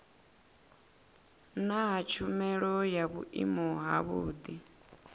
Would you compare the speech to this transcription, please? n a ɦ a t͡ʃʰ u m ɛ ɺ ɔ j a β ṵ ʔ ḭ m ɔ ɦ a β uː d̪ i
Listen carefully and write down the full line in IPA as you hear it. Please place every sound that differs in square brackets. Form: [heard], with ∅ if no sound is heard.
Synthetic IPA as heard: n a ɦ a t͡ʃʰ u m ɛ ɺ ɔ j a β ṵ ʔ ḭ m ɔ ɦ a β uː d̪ i

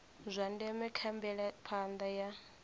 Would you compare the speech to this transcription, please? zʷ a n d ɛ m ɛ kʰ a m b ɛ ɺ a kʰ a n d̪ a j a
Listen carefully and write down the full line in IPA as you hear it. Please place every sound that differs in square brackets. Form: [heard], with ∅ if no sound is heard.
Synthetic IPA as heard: zʷ a n d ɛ m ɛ kʰ a m b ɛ ɺ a [pʰ] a n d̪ a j a

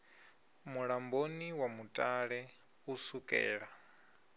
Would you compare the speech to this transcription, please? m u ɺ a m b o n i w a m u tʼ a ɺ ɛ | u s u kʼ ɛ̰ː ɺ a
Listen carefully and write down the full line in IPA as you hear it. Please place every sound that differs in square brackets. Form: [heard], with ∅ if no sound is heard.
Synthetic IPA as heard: m u ɺ a m b o n i w a m u tʼ a ɺ ɛ | u s u kʼ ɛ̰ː ɺ a

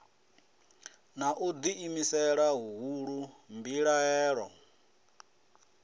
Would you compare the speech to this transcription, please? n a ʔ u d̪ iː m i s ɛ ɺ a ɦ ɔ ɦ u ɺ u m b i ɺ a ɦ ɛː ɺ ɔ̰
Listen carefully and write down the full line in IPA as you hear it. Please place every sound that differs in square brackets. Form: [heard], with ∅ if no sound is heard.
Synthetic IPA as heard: n a ʔ u d̪ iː m i s ɛ ɺ a ɦ [u] ɦ u ɺ u m b i ɺ a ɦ ɛː ɺ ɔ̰

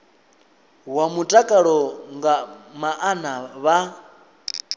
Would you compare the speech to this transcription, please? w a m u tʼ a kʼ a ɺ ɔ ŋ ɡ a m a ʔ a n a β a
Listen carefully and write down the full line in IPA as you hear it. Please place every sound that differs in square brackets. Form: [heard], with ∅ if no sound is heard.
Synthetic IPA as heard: w a m u tʼ a kʼ a ɺ ɔ ŋ ɡ a m a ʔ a n a β a

